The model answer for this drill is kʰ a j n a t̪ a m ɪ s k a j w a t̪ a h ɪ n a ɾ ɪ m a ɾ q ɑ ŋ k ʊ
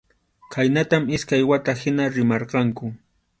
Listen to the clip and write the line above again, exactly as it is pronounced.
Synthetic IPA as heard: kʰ a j n a t̪ a m ɪ s k a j w a t̪ a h ɪ n a ɾ ɪ m ɑ ɾ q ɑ ŋ k ʊ